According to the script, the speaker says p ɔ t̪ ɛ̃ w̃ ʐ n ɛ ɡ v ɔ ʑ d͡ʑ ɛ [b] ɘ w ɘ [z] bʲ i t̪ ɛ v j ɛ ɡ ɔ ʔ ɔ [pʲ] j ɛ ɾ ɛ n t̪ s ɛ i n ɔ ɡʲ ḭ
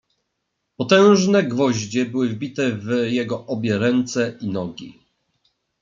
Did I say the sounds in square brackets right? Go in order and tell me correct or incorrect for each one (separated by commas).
correct, incorrect, incorrect